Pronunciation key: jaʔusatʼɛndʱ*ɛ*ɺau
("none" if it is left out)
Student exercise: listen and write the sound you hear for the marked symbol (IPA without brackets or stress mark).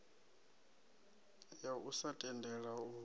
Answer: ɛ